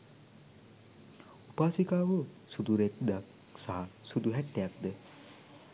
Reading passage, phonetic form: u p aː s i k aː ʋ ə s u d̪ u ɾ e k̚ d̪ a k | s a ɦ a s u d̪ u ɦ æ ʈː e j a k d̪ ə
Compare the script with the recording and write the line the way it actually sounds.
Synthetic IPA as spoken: u p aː s i k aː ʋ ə s u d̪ u ɾ e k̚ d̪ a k | s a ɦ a s u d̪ u ɦ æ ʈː e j a k d̪ ə